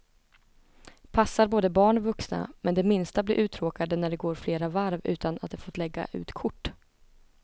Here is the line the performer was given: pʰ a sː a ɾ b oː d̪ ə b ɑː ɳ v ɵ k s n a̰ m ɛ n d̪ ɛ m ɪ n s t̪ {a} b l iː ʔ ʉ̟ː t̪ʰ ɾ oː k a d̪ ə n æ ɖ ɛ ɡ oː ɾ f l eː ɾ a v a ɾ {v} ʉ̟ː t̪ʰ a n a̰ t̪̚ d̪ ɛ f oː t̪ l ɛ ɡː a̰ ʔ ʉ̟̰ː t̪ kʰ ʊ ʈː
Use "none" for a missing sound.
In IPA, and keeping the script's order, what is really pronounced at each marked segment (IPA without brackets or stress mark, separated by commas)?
a, v